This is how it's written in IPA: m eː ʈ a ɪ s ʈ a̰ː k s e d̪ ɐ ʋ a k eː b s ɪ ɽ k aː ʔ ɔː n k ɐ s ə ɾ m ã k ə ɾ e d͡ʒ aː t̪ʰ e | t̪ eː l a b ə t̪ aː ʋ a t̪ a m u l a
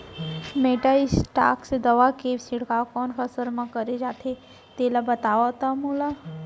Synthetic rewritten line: m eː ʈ a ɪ s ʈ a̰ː k s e d̪ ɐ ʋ a k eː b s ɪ ɽ k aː k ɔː n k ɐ s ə ɾ m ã k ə ɾ e d͡ʒ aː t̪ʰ e | t̪ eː l a b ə t̪ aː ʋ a t̪ a m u l a